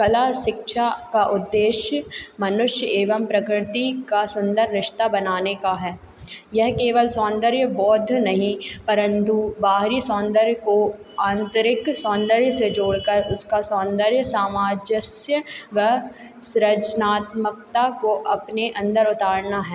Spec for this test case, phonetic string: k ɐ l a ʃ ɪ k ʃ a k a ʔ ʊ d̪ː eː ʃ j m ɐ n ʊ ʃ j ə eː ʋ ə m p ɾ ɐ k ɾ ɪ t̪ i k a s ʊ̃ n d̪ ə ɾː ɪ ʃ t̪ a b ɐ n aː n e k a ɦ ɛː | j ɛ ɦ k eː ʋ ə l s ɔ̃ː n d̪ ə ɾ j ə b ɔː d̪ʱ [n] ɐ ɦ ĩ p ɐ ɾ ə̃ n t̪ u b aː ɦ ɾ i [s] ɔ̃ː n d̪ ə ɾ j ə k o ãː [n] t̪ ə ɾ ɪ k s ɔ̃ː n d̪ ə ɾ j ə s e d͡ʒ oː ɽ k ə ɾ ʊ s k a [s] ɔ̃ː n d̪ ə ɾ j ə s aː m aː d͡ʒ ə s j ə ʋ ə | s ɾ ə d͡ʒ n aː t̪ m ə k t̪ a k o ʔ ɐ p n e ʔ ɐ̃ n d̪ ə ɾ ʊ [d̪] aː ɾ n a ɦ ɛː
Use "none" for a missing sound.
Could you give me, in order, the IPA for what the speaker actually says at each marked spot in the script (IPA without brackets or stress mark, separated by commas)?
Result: n, s, n, s, t̪